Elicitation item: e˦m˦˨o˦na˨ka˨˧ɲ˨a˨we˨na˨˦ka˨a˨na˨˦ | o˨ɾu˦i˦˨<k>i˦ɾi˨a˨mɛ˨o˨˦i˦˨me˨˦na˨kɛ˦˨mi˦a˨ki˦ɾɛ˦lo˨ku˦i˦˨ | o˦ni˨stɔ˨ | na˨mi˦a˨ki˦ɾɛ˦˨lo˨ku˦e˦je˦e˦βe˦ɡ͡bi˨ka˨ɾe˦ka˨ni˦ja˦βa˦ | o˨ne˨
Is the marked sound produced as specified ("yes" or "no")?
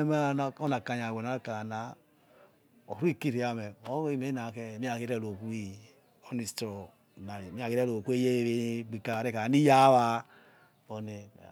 yes